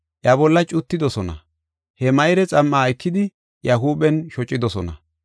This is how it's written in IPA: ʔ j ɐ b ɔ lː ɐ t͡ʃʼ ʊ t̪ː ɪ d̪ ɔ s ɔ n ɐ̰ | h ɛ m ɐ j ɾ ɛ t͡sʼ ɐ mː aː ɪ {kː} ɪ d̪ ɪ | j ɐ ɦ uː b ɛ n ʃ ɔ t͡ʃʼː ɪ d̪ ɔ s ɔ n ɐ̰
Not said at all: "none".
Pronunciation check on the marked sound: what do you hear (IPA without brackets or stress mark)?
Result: kː